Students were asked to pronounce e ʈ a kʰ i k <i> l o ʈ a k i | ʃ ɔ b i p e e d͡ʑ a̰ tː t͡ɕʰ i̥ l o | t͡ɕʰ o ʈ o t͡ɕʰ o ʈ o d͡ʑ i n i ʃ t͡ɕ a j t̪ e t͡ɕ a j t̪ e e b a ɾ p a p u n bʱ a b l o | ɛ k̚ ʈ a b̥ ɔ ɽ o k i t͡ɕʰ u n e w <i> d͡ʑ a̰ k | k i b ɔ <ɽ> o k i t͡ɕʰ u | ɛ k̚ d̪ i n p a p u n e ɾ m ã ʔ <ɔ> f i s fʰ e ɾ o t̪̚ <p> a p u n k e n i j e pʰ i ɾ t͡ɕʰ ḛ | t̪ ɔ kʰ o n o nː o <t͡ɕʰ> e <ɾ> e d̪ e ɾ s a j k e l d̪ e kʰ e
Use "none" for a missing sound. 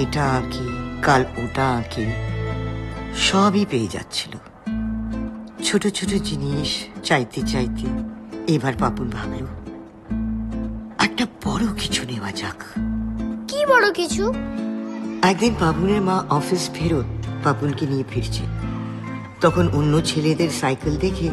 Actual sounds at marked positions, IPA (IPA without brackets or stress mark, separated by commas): a, a, ɽ, ɔ, p, t͡ɕʰ, l